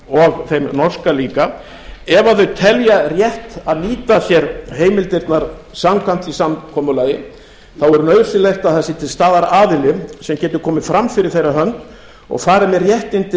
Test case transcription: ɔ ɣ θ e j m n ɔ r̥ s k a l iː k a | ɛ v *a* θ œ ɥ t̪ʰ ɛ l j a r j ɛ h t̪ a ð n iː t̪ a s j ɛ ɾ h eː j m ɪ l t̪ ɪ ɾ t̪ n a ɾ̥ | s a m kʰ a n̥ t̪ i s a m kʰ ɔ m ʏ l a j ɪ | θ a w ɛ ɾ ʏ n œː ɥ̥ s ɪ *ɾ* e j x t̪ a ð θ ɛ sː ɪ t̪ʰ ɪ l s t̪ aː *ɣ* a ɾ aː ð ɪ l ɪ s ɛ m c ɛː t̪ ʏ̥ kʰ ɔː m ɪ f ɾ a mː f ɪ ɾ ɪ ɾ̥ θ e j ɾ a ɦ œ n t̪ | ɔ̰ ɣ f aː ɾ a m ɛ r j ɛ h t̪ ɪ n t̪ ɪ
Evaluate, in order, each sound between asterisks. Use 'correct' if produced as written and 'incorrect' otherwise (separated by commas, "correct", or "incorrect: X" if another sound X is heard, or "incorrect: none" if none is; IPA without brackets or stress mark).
correct, incorrect: l, incorrect: ð